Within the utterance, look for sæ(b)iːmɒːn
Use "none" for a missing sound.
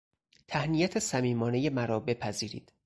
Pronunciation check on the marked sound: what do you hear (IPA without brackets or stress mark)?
m